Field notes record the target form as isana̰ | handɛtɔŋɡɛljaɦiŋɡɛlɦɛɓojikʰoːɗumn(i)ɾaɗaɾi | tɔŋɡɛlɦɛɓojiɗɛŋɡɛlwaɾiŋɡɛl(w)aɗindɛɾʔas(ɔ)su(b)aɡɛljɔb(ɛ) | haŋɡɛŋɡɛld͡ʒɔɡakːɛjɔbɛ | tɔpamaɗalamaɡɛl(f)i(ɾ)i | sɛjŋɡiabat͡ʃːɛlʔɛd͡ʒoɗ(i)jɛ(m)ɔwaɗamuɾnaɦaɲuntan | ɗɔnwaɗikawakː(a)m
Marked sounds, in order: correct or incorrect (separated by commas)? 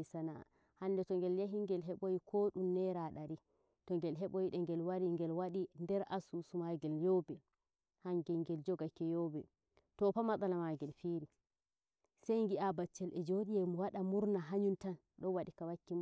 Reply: incorrect, correct, incorrect, incorrect, correct, correct, correct, correct, correct, incorrect